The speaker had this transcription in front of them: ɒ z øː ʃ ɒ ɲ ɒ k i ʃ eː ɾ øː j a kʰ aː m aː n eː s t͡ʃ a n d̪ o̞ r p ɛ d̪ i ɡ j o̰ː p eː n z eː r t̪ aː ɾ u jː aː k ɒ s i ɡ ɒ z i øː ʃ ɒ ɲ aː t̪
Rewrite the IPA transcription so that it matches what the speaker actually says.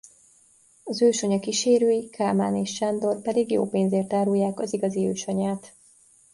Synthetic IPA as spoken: ɒ z øː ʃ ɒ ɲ ɒ k i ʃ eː ɾ øː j i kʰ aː m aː n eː ʃ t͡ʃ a n d̪ o̞ r p ɛ d̪ i ɡ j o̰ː p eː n z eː r t̪ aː ɾ u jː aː k ɒ z i ɡ ɒ z i øː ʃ ɒ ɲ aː t̪